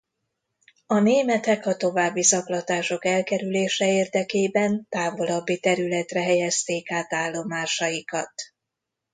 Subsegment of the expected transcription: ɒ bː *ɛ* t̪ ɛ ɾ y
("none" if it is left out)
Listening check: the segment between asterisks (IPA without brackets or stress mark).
i